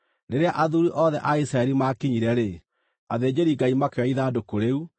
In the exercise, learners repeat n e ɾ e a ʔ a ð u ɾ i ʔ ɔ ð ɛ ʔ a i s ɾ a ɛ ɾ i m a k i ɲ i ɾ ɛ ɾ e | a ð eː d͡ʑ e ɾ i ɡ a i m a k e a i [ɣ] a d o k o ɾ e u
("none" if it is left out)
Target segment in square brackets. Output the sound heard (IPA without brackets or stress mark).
ð